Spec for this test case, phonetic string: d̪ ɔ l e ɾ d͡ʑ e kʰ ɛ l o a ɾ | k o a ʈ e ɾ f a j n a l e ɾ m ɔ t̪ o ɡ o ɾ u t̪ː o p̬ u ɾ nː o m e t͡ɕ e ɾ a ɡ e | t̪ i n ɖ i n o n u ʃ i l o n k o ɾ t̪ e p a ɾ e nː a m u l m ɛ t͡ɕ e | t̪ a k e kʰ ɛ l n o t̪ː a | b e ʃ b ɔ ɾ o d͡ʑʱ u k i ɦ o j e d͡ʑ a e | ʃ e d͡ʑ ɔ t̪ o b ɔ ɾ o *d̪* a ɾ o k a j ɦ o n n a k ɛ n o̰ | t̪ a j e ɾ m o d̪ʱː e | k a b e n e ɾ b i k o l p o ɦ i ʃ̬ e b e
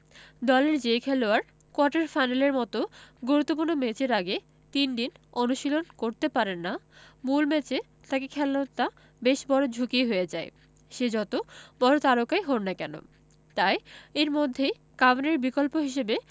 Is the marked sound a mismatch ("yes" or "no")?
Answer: yes